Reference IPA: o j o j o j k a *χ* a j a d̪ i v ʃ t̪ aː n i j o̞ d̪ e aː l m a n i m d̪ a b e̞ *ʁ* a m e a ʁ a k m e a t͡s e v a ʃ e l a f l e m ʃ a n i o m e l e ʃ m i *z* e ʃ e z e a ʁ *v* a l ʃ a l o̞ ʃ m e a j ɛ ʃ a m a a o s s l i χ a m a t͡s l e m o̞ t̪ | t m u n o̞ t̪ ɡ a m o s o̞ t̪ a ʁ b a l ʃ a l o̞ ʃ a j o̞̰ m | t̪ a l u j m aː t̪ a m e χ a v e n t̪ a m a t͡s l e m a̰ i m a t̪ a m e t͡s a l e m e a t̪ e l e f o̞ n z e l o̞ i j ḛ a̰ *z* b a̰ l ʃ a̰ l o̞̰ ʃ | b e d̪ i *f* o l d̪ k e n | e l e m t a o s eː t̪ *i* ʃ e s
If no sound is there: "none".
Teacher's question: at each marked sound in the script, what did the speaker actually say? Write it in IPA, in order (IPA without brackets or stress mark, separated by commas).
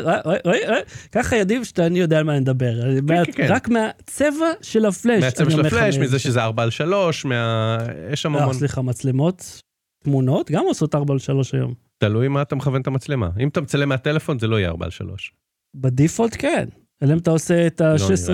χ, ʁ, z, b, ʁ, f, a